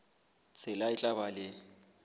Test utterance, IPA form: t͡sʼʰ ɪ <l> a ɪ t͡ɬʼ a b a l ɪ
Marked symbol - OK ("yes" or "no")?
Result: yes